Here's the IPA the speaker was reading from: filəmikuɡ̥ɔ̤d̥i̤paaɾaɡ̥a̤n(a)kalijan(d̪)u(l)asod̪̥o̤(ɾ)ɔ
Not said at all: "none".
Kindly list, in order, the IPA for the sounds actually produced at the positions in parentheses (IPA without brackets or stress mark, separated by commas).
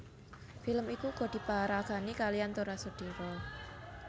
i, t̪, ɾ, ɾ